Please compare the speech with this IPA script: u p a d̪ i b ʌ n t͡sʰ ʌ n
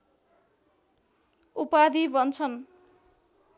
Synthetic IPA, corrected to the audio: u p a d̪ i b ʌ n t͡sʰ ʌ n